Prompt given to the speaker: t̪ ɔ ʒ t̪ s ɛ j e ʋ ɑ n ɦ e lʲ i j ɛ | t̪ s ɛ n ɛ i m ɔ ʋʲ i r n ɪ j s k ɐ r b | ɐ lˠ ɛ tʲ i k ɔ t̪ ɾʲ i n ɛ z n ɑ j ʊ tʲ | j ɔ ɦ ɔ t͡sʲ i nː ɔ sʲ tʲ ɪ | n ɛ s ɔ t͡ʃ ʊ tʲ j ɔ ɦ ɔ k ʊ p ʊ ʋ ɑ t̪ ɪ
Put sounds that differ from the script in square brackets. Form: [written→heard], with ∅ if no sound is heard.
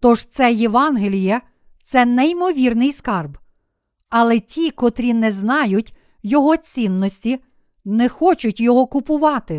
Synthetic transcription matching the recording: t̪ ɔ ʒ t̪ s ɛ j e ʋ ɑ n ɦ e lʲ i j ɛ | t̪ s ɛ n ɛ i m ɔ ʋʲ i r n ɪ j s k [ɐ→ɑ] r b | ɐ lˠ ɛ tʲ i k ɔ t̪ ɾʲ i n ɛ z n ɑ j ʊ tʲ | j ɔ ɦ ɔ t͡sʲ i nː ɔ sʲ tʲ [ɪ→i] | n ɛ [s→x] ɔ t͡ʃ ʊ tʲ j ɔ ɦ ɔ k ʊ p ʊ ʋ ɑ t̪ ɪ